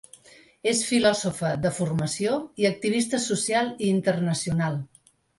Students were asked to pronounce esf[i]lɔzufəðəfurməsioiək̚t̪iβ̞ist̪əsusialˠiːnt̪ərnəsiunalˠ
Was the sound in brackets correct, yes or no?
yes